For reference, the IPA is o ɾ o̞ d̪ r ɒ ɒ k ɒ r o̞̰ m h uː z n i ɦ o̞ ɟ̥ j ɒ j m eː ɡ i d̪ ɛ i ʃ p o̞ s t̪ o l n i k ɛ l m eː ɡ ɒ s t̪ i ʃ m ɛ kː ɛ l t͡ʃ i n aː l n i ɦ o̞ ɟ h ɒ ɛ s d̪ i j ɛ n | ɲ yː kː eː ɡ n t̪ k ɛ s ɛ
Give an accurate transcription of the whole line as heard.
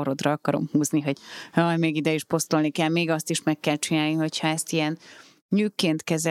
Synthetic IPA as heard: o ɾ o̞ d̪ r ɒ ɒ k ɒ ɾ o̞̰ m h uː z n i ɦ o̞ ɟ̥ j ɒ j m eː ɡ i d̪ ɛ i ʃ p o̞ s t̪ o l n i k ɛ l m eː ɡ ɒ s t̪ i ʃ m ɛ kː ɛ l t͡ʃ i n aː l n i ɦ o̞ c h ɒ ɛ s t̪ i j ɛ n | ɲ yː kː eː n t̪ k ɛ z ɛ